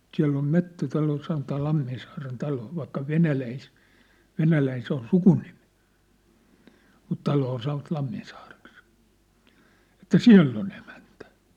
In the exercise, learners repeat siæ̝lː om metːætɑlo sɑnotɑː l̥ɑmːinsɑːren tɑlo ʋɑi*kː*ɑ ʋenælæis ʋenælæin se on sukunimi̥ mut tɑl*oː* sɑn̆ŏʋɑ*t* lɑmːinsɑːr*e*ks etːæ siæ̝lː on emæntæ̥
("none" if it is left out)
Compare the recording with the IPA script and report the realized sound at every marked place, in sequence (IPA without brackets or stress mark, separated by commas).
kː, oː, t, e